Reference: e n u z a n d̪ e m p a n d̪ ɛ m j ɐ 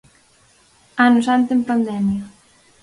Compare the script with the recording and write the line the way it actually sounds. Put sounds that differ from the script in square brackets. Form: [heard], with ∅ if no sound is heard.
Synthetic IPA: [a] n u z a n [t̪] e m p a n d̪ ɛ m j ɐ